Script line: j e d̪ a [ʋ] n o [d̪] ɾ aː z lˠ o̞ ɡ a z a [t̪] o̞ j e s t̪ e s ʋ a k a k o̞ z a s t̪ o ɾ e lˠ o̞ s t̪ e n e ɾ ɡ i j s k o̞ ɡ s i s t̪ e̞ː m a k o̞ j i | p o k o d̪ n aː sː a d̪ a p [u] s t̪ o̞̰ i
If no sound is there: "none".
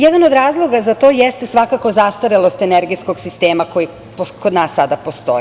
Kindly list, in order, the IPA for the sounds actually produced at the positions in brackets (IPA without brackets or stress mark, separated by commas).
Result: none, d̪, t̪, o